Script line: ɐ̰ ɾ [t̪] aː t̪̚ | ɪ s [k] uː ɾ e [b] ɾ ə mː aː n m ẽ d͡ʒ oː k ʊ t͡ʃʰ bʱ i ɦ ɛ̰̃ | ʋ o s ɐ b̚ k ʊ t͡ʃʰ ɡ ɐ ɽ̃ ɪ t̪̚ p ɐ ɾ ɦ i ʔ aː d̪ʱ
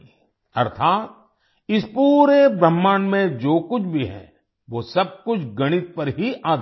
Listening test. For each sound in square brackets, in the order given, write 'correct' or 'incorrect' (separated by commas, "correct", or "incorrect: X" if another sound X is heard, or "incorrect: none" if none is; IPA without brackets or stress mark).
incorrect: t̪ʰ, incorrect: p, correct